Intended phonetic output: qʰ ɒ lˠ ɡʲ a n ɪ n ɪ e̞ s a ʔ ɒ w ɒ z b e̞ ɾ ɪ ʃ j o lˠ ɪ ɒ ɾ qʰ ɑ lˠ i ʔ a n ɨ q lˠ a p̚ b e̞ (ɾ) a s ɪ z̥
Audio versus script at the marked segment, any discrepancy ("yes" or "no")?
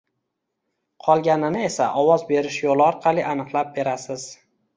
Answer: no